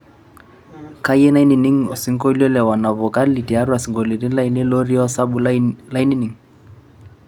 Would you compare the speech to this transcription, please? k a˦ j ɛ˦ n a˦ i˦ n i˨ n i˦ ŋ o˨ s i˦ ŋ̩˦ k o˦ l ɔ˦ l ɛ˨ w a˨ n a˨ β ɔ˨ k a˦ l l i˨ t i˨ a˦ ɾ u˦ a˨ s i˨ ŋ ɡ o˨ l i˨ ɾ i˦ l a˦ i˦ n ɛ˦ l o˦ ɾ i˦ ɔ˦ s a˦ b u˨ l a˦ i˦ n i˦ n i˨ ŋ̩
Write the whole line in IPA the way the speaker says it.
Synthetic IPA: k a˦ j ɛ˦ n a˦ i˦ n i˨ n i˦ ŋ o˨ s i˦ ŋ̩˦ k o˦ l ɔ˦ l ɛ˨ w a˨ n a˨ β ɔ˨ k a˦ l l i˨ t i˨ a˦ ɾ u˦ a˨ s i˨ ŋ ɡ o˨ l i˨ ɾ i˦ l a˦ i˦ n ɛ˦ l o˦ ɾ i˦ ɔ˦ s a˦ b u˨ l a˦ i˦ n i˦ n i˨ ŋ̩